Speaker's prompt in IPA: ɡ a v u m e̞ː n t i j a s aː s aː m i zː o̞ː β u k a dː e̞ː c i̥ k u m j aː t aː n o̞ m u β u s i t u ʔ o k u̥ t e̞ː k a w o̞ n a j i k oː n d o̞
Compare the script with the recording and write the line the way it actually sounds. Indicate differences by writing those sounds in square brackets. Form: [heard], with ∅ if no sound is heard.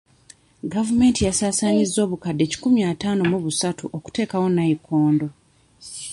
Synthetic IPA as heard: ɡ a v u m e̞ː n t i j a s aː s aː [ɲ] i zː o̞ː β u k a dː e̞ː c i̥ k u m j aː t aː n o̞ m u β u s [a] t u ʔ o k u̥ t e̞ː k a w o̞ n a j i k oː n d o̞